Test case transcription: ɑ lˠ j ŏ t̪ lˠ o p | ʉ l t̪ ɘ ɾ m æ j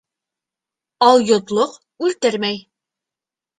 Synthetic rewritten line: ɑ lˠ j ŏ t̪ lˠ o q | ʉ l t̪ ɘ ɾ m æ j

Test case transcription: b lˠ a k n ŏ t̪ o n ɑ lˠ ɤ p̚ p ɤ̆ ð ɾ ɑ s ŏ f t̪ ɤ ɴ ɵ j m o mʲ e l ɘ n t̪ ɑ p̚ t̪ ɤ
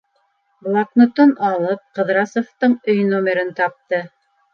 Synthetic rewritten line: b lˠ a k n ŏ t̪ o n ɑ lˠ ɤ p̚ q ɤ̆ ð ɾ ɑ s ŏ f t̪ ɤ ɴ ɵ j n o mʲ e ɾ ɘ n t̪ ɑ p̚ t̪ ɤ

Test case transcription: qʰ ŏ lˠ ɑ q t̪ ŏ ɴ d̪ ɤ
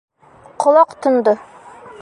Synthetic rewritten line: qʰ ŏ lˠ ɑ q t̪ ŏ n d̪ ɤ

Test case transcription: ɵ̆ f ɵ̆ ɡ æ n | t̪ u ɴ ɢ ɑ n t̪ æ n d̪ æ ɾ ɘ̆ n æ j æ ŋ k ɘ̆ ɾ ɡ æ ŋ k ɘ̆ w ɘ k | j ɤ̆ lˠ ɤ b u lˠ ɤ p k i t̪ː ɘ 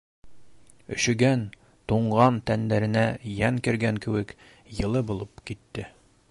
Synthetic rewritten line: ɵ̆ ɕ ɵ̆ ɡ æ n | t̪ u ɴ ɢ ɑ n t̪ æ n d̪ æ ɾ ɘ̆ n æ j æ ŋ k ɘ̆ ɾ ɡ æ ŋ k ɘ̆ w ɘ k | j ɤ̆ lˠ ɤ b u lˠ ɤ p k i t̪ː ɘ

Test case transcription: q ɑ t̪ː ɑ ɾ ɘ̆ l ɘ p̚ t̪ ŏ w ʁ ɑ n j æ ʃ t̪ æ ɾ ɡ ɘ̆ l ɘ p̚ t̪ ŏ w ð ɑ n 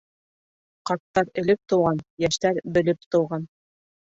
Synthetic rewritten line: q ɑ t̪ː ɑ ɾ ɘ̆ l ɘ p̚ t̪ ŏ w ʁ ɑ n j æ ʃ t̪ æ ɾ b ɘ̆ l ɘ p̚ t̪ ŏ w ʁ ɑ n

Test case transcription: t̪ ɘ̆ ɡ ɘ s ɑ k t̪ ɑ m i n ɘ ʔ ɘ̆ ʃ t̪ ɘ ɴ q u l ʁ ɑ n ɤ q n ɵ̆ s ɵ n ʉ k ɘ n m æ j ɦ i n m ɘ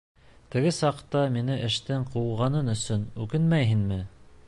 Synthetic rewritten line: t̪ ɘ̆ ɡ ɘ s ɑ q t̪ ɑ m i n ɘ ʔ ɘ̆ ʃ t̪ ɘ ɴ q u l ʁ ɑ n ɤ n ɵ̆ s ɵ n ʉ k ɘ n m æ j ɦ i n m ɘ

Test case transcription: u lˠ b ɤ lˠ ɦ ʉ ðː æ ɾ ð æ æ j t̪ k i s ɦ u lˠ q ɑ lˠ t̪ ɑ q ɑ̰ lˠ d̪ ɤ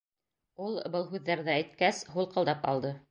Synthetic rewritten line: u lˠ b ɤ lˠ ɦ ʉ ðː æ ɾ ð æ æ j t̪ k æ s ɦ u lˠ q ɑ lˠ d̪ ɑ p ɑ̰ lˠ d̪ ɤ

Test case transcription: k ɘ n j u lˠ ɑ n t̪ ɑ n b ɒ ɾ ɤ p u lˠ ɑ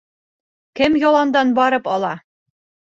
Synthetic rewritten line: k ɘ m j ɒ lˠ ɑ n d̪ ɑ n b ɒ ɾ ɤ p ɒ lˠ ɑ

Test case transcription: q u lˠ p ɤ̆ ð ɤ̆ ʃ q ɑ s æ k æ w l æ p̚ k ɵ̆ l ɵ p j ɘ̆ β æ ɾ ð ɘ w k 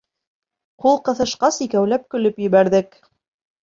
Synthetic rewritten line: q u lˠ q ɤ̆ θ ɤ̆ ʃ q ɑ s i k æ w l æ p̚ k ɵ̆ l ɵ p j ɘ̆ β æ ɾ ð ɘ k

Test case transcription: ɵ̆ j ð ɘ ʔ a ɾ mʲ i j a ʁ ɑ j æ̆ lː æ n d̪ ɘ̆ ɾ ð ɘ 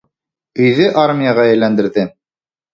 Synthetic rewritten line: ɵ̆ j ð ɘ ʔ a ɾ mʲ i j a ʁ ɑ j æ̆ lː æ n d̪ ɘ̆ ɾ ð ɘ

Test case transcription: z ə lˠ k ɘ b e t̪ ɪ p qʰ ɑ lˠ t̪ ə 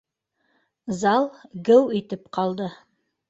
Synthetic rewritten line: z ɑ lˠ ɡ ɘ w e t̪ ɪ p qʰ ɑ lˠ d̪ ə

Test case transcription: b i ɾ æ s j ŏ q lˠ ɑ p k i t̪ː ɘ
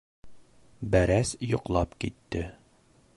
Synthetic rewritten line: b æ ɾ æ s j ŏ q lˠ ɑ p k i t̪ː ɘ

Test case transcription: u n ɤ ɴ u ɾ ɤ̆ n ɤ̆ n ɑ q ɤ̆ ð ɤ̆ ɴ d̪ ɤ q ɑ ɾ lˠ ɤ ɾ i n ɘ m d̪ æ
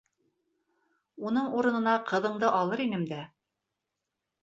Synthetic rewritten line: u n ɤ ɴ u ɾ ɤ̆ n ɤ̆ n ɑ q ɤ̆ ð ɤ̆ ɴ d̪ ɤ ʔ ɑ lˠ ɤ ɾ i n ɘ m d̪ æ

